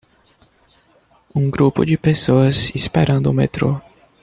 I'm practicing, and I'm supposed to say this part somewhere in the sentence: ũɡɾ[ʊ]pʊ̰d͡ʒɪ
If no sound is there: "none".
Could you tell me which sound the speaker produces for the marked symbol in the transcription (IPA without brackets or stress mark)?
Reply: u